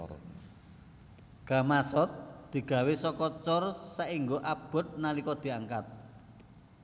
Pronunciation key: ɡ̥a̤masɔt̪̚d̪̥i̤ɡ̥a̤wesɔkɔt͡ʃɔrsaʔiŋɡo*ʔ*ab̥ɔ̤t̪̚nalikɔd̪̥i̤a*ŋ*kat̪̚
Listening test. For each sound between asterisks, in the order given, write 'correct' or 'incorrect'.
correct, correct

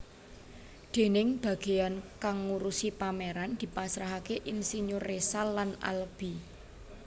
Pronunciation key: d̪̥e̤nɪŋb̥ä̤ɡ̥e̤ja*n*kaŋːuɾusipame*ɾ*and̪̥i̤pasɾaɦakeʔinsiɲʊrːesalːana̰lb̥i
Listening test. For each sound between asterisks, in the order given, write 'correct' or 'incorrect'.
correct, correct

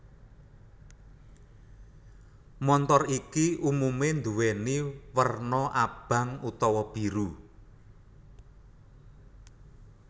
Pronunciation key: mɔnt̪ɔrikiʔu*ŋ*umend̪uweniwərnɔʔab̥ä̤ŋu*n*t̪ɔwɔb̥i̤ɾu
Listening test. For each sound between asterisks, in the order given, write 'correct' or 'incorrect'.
incorrect: m, incorrect: none

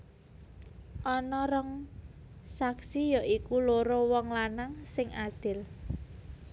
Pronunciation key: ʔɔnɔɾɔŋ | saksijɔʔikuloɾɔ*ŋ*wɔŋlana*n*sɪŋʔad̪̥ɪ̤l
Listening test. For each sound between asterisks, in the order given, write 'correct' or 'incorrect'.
incorrect: none, incorrect: ŋ

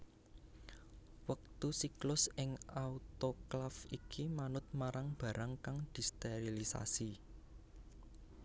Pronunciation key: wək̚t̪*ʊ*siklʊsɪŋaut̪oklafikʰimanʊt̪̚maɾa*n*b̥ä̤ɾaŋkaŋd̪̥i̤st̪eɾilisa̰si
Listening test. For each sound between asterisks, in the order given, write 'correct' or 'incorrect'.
incorrect: u, incorrect: ŋ

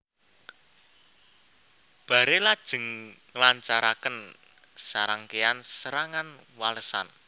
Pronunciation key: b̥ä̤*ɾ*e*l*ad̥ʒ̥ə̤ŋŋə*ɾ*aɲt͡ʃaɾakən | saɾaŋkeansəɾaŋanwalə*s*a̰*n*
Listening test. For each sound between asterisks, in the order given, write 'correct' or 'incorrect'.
correct, correct, incorrect: l, correct, correct

